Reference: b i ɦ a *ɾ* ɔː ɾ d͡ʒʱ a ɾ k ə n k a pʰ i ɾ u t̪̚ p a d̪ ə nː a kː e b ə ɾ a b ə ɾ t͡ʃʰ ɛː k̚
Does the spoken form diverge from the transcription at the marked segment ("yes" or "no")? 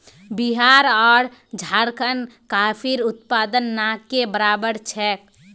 no